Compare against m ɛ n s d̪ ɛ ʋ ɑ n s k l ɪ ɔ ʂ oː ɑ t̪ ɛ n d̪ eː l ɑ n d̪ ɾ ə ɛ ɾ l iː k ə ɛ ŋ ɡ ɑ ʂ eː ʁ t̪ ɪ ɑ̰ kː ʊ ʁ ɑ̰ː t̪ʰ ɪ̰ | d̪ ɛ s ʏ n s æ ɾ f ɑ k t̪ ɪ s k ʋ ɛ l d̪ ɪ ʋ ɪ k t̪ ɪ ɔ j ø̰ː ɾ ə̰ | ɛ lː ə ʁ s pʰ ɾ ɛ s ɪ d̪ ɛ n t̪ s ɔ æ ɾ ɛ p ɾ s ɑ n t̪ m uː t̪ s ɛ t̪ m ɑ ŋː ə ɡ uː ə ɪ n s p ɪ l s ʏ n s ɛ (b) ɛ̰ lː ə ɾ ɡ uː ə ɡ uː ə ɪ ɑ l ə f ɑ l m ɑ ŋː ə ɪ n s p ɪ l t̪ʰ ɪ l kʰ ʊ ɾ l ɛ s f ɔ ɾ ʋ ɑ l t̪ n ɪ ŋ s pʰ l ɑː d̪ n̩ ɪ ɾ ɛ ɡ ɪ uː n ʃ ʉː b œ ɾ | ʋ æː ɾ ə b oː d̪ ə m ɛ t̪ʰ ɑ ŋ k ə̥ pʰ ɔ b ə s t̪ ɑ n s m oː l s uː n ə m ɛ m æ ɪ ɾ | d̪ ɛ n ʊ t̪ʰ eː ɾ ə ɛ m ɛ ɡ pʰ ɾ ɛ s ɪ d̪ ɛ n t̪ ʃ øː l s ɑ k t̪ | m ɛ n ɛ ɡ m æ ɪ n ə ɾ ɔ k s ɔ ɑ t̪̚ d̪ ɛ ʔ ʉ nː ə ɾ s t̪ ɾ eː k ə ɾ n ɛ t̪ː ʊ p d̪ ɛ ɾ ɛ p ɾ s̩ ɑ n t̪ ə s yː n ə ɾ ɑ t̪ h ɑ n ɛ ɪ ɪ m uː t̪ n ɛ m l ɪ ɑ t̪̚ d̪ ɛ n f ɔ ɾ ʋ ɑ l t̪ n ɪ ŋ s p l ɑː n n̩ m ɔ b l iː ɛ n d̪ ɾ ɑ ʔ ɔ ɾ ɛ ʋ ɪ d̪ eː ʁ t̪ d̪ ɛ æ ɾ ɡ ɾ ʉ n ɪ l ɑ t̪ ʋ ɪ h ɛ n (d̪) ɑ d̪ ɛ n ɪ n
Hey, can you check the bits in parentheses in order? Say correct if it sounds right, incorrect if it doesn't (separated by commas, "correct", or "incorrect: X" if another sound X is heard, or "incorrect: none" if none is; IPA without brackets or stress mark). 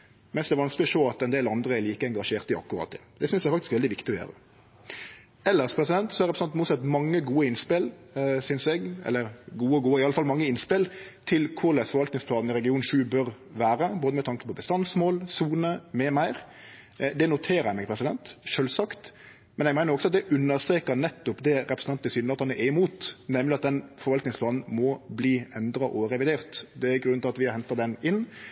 incorrect: ɡ, incorrect: t̪